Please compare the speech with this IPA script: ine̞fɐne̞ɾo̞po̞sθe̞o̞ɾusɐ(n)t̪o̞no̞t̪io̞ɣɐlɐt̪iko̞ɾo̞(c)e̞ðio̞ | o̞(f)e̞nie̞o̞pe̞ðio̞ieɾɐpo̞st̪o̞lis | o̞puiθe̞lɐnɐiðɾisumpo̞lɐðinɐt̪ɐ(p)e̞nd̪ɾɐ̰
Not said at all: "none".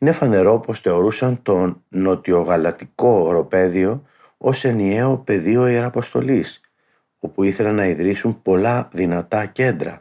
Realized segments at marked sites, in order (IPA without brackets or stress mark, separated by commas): n, p, s, c